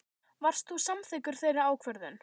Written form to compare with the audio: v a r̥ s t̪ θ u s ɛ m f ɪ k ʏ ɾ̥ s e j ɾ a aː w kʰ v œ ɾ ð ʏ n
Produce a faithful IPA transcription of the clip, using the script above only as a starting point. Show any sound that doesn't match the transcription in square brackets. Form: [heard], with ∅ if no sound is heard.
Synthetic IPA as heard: v a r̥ s t̪ θ u s [a] m [θ] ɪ k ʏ ɾ̥ [θ] e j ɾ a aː w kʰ v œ ɾ ð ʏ n